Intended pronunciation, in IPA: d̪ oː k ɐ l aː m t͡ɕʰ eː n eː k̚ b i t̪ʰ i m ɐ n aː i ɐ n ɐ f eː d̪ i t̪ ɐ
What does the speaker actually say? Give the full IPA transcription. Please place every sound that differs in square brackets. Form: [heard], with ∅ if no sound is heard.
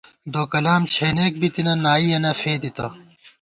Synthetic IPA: d̪ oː k ɐ l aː m t͡ɕʰ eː n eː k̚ b i [t̪] i [n] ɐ n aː i ɐ n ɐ f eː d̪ i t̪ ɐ